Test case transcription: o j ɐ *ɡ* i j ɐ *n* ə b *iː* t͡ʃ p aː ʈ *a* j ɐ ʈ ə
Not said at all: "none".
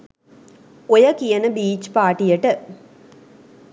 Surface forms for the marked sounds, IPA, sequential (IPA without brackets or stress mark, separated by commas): k, n, iː, i